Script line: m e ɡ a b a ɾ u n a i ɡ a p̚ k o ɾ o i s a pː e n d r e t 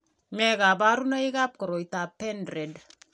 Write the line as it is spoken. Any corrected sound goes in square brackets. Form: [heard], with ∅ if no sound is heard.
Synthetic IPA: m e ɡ a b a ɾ u n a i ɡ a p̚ k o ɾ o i [t] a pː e n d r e [d]